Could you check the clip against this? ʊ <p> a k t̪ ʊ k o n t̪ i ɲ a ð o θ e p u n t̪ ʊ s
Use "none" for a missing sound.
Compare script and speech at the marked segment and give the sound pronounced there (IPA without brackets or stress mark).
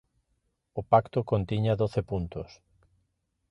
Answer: p